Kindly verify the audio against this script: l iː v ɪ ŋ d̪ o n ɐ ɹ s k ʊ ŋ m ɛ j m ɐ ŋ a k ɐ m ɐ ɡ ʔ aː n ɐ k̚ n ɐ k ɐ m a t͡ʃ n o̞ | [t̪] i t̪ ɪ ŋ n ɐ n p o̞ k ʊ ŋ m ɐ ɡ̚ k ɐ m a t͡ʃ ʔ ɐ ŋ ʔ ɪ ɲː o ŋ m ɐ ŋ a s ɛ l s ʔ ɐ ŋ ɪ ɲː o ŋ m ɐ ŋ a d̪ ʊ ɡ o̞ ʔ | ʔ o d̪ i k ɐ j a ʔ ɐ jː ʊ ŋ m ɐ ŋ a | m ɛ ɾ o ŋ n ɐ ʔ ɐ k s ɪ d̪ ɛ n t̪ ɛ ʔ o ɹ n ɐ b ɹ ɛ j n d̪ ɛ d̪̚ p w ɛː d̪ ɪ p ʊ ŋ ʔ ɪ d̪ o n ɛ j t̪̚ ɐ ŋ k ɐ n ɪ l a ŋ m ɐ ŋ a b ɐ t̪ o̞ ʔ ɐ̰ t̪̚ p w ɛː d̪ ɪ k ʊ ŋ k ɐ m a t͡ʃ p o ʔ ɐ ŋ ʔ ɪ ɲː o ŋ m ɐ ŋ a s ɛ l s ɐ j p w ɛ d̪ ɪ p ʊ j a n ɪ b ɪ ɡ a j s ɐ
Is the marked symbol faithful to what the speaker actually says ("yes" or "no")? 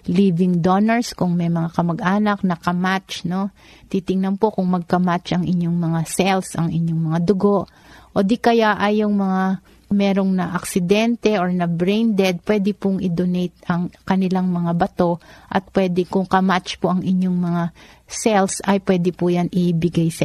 yes